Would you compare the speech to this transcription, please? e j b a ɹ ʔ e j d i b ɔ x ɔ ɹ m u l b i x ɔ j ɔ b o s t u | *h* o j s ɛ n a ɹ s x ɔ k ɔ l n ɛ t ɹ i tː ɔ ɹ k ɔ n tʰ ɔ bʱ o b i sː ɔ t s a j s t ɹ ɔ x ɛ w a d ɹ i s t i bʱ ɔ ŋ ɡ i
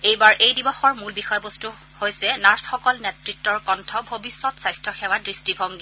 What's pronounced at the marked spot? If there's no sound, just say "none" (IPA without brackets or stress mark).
h